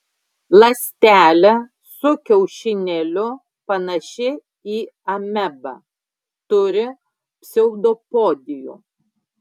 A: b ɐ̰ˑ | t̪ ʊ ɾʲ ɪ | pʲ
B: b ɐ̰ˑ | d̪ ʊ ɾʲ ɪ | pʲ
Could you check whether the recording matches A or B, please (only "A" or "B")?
A